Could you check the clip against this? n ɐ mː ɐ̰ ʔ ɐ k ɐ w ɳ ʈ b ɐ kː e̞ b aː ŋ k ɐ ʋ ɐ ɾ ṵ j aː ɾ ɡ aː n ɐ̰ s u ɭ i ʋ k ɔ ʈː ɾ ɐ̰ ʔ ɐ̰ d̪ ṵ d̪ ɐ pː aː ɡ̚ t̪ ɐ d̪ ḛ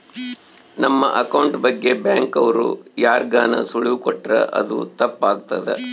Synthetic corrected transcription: n ɐ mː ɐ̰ ʔ ɐ k ɐ w ɳ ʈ b ɐ ɡː e̞ b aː ŋ k ɐ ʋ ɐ ɾ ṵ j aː ɾ ɡ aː n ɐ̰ s u ɭ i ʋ k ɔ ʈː ɾ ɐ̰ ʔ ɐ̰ d̪ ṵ t̪ ɐ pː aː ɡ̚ t̪ ɐ d̪ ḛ